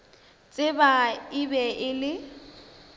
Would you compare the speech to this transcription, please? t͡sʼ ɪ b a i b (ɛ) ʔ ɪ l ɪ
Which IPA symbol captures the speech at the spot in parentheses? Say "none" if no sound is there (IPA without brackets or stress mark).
ɛ